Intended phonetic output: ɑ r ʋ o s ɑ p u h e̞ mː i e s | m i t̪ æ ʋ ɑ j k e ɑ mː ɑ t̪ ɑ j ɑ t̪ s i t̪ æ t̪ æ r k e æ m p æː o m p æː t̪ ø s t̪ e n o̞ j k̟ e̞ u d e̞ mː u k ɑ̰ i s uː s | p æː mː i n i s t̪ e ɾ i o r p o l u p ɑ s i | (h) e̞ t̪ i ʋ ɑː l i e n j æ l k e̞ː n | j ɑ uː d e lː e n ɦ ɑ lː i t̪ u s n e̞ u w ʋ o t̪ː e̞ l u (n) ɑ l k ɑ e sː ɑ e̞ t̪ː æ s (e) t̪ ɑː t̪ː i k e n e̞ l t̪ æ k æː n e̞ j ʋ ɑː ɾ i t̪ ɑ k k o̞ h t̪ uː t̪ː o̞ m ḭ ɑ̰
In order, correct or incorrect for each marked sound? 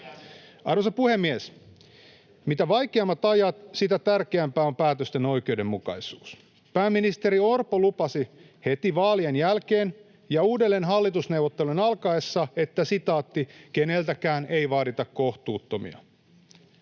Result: correct, correct, incorrect: i

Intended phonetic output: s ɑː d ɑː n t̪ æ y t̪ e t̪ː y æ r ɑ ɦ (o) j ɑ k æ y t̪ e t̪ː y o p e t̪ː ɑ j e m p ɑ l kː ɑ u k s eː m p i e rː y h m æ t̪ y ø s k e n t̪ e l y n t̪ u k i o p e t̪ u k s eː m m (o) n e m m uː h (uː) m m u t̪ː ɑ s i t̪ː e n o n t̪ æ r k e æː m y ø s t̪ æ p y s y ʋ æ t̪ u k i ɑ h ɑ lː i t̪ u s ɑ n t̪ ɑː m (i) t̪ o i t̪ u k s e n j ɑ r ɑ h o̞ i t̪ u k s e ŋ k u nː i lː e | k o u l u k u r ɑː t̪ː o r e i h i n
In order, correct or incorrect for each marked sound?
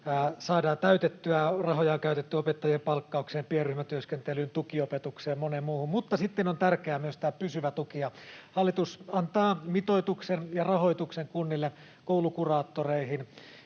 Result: correct, correct, incorrect: u, correct

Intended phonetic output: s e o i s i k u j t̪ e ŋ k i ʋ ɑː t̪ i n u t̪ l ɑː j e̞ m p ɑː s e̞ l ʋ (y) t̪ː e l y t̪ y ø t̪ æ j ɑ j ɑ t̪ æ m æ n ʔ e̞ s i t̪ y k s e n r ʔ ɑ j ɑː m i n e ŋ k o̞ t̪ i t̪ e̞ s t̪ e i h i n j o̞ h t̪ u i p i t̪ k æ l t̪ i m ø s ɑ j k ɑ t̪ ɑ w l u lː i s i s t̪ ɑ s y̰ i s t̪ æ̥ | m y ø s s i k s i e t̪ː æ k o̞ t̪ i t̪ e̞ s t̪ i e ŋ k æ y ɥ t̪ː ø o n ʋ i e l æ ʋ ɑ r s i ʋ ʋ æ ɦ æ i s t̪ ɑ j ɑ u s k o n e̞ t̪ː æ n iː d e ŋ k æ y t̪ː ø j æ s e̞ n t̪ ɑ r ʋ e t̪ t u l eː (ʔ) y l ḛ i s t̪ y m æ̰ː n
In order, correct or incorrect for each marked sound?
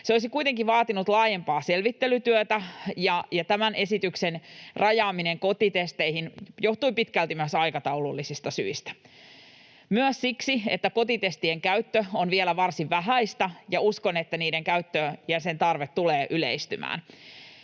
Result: incorrect: i, correct

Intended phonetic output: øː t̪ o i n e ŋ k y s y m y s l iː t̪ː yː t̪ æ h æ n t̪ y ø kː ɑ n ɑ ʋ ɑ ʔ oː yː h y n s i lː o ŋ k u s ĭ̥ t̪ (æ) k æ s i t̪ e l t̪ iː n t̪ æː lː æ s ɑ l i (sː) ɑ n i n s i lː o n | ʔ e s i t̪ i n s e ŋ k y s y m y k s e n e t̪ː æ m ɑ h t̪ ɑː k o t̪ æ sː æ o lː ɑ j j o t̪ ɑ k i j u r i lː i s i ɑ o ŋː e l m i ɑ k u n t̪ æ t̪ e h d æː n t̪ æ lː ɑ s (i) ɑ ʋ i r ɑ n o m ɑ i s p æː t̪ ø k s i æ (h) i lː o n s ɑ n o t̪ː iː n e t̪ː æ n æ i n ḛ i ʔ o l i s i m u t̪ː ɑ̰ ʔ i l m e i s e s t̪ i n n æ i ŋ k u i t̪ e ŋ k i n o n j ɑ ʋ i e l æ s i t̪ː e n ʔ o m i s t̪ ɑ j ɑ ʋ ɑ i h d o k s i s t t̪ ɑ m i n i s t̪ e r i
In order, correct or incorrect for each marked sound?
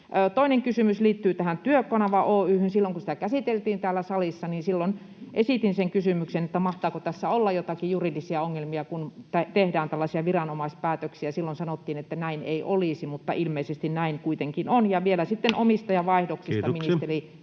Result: correct, correct, correct, incorrect: s

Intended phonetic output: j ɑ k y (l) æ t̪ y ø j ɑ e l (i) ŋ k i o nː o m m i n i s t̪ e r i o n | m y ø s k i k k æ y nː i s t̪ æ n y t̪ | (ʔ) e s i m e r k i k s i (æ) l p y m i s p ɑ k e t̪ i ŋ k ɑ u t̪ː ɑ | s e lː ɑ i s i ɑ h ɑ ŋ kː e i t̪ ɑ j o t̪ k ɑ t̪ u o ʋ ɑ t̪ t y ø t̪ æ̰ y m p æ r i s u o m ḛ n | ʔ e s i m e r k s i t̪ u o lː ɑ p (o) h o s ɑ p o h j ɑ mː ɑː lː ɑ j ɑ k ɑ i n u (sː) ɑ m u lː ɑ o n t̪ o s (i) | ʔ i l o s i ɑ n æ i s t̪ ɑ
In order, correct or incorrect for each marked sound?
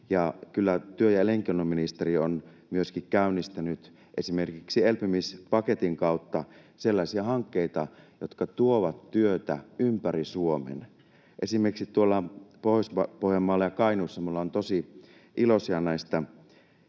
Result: incorrect: lː, incorrect: e, correct, incorrect: e, correct, correct, correct

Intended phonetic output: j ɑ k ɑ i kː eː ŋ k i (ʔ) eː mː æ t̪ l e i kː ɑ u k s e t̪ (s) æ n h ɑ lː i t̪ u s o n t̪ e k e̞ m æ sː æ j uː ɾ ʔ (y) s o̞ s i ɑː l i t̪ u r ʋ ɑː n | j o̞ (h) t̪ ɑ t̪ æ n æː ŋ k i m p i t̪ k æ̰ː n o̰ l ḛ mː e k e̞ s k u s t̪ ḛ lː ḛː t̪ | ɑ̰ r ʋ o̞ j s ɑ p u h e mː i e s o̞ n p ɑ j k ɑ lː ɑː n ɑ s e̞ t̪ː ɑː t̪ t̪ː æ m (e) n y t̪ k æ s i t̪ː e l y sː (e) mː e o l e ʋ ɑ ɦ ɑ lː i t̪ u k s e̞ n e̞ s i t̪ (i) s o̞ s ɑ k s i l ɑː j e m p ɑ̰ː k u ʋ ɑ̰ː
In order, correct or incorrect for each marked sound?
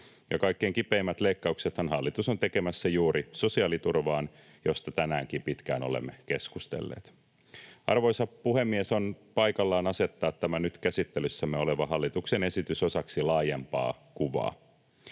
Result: incorrect: p, incorrect: h, incorrect: i, incorrect: s, incorrect: æ, incorrect: æ, incorrect: y

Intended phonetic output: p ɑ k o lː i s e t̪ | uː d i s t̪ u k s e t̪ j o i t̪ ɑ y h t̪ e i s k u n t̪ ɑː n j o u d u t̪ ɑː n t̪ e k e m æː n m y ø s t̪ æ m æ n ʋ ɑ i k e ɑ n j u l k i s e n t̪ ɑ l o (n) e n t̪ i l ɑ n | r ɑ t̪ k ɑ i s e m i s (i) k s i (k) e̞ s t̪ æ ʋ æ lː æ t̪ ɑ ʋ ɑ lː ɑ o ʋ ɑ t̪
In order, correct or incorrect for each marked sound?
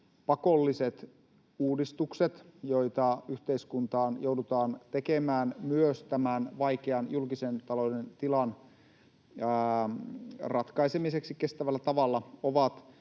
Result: incorrect: d, incorrect: e, correct

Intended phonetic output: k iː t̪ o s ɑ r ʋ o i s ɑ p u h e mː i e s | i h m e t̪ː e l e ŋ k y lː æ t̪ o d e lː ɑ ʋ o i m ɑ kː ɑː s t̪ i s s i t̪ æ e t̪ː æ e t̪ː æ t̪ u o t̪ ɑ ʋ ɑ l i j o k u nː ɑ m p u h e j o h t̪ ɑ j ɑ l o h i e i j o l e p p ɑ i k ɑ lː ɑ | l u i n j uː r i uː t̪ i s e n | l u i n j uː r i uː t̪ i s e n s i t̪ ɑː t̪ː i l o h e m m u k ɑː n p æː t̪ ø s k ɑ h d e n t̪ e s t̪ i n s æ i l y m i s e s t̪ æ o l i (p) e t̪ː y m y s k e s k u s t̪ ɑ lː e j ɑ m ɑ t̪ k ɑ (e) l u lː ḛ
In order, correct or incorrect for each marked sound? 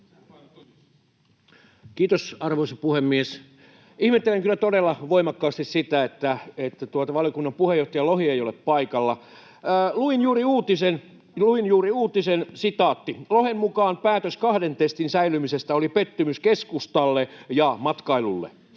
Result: correct, incorrect: i

